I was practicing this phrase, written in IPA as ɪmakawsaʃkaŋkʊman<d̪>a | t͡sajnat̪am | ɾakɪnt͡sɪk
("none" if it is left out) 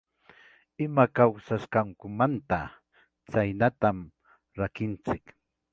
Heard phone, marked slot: t̪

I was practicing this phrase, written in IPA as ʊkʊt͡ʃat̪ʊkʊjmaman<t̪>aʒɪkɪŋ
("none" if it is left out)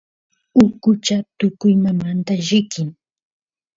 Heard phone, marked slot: t̪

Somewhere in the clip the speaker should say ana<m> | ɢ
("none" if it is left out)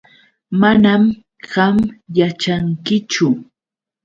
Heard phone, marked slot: m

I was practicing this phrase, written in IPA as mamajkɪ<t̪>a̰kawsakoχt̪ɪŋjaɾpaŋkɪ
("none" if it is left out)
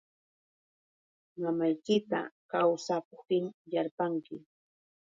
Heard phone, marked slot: t̪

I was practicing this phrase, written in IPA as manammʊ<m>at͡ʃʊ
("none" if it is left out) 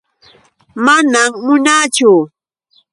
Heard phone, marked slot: n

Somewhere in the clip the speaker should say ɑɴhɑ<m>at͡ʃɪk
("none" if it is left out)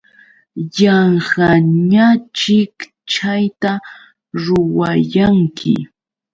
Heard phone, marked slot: ɲ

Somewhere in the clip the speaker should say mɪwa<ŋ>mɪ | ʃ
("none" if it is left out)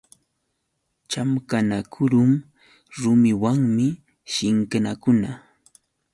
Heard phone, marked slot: ŋ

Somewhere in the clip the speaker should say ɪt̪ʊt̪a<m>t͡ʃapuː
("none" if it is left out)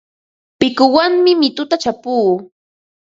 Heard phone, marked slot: none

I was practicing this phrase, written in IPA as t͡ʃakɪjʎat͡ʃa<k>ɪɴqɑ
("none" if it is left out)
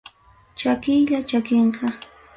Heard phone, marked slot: k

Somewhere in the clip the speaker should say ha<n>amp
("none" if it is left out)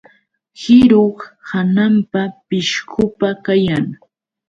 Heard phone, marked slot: n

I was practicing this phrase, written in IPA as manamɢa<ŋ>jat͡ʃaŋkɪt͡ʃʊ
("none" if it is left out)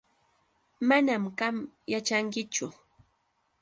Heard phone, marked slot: m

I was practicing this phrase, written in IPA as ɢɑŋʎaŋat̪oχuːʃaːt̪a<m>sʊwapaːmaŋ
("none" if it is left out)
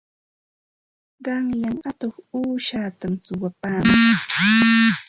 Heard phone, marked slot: m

